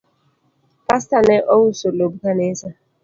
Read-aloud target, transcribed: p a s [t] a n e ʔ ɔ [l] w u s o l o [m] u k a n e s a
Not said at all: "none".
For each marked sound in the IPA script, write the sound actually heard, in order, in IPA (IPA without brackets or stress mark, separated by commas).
t, none, b